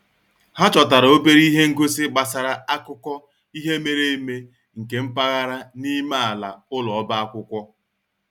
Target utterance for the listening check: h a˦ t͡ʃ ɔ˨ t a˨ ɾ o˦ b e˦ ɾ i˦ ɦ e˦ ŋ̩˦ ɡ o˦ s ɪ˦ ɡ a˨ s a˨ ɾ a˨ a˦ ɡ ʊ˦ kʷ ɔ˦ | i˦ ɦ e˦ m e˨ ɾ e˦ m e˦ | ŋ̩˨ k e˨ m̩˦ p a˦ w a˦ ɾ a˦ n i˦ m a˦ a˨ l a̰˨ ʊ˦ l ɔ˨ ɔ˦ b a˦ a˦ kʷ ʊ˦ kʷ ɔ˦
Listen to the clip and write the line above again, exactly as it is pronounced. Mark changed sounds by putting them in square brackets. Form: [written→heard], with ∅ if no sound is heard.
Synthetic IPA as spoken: h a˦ t͡ʃ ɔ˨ t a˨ ɾ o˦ b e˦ ɾ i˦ ɦ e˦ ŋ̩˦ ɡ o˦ s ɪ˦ [ɡ→ɡ͡b] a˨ s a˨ ɾ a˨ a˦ [ɡ→k] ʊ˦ kʷ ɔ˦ | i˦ ɦ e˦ m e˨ ɾ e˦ m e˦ | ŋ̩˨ k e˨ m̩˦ p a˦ [w→ɣ] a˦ ɾ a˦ n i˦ m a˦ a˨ l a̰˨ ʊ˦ l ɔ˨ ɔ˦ b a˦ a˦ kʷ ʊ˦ kʷ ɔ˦